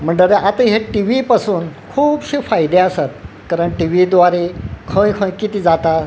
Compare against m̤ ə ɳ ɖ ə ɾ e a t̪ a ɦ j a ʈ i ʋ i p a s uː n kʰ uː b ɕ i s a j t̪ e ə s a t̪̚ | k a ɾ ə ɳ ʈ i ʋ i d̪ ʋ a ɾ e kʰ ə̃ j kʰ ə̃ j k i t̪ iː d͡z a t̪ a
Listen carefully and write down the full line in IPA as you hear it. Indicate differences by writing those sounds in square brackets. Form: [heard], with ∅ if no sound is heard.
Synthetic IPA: m̤ ə ɳ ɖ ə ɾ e a t̪ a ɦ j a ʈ i ʋ i p a s uː n kʰ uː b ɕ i [f] a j [d̪] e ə s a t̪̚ | k a ɾ ə ɳ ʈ i ʋ i d̪ ʋ a ɾ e kʰ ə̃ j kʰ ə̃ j k i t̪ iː d͡z a t̪ a